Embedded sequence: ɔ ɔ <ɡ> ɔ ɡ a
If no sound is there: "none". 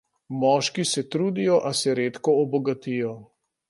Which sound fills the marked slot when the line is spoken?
b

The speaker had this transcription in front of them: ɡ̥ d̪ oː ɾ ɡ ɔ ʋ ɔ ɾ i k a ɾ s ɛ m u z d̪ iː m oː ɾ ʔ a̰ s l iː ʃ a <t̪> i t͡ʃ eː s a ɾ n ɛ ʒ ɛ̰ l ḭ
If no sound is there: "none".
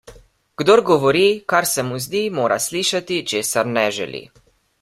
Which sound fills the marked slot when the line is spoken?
t̪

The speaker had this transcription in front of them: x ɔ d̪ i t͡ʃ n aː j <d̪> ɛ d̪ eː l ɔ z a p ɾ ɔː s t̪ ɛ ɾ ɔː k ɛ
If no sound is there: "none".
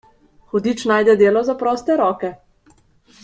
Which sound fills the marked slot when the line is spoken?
d̪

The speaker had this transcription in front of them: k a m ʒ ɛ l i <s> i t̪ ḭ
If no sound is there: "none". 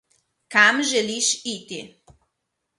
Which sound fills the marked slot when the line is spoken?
ʃ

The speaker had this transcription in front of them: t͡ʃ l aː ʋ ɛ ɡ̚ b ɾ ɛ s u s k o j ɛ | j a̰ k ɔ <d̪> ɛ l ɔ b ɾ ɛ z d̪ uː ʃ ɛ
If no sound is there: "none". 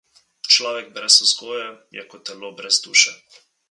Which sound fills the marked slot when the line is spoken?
t̪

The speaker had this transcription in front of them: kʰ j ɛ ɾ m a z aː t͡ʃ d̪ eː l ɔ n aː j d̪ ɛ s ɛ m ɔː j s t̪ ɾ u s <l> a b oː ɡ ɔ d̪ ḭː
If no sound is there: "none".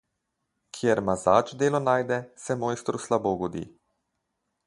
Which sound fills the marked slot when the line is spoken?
l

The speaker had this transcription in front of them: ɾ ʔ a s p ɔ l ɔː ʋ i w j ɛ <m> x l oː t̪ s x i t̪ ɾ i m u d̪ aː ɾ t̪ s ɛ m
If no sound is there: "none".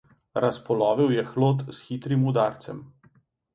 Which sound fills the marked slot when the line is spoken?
none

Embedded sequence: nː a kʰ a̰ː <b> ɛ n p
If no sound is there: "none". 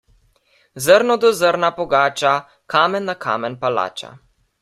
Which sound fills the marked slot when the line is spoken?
m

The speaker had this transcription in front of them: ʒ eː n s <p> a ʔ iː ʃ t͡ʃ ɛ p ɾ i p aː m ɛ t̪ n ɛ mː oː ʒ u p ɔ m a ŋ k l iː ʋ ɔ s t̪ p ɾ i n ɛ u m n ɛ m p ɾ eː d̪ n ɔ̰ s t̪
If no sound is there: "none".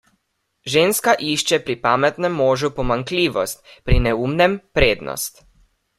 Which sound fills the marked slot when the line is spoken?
k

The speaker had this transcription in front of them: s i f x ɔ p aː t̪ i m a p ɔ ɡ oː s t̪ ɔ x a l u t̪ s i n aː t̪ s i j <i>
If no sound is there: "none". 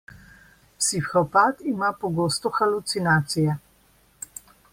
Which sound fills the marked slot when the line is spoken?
ɛ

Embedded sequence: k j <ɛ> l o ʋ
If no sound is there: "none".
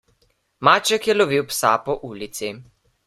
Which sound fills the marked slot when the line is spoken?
ɛ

